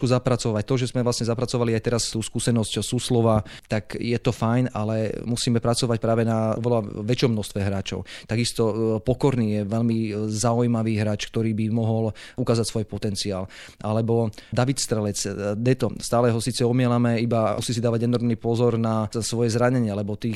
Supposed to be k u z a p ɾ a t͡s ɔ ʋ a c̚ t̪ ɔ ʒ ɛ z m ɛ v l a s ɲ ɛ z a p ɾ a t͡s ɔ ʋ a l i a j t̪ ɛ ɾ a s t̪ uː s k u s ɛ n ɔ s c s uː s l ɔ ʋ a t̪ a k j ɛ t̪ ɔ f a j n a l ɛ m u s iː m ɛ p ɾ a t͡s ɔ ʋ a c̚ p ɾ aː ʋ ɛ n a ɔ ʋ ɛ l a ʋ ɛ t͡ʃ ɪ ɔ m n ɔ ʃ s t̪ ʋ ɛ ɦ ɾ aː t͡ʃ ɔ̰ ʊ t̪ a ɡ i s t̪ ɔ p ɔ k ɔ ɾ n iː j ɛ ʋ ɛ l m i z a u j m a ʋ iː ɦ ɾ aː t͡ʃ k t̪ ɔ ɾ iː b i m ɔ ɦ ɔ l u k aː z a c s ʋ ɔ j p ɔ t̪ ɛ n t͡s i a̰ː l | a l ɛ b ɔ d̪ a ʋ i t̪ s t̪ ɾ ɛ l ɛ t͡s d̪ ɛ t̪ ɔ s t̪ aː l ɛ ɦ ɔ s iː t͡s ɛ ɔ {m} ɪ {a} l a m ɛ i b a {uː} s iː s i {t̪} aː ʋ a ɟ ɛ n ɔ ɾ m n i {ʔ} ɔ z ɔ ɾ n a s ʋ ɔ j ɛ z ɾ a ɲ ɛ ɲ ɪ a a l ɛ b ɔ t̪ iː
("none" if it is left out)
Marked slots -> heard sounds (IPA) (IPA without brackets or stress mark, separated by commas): m, ɛ, u, d̪, p